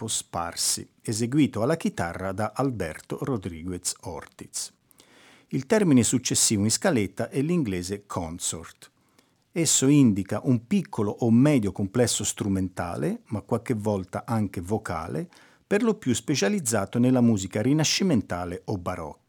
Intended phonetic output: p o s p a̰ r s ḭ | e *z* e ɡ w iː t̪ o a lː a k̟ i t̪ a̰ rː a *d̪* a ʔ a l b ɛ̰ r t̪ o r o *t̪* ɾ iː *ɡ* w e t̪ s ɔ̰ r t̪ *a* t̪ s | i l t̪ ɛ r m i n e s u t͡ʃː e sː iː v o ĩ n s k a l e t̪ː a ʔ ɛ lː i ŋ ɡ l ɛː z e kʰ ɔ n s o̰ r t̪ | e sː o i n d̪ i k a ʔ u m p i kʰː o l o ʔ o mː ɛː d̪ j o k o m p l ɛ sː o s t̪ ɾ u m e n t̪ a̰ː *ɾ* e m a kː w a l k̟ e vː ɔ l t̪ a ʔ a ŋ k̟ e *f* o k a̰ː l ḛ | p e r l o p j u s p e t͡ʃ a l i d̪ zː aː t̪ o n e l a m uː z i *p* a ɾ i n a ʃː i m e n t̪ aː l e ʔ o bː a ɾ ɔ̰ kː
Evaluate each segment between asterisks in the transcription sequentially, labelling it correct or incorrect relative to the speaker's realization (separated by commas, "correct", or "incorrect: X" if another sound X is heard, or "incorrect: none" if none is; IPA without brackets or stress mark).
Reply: correct, correct, incorrect: d̪, correct, incorrect: i, incorrect: l, incorrect: v, incorrect: k